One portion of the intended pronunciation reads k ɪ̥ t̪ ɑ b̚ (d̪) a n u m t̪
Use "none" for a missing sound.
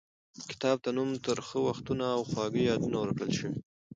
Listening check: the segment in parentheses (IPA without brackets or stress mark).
t̪